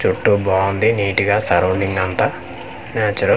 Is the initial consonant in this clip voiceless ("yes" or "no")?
yes